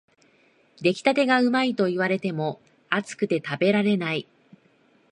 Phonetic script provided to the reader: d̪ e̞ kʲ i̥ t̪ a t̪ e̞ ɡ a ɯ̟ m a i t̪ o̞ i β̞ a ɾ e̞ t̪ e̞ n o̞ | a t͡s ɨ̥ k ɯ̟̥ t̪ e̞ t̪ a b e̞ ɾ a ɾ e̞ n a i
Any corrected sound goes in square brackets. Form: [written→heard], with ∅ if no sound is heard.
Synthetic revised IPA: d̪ e̞ kʲ i̥ t̪ a t̪ e̞ ɡ a ɯ̟ m a i t̪ o̞ i β̞ a ɾ e̞ t̪ e̞ [n→m] o̞ | a t͡s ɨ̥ k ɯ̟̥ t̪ e̞ t̪ a b e̞ ɾ a ɾ e̞ n a i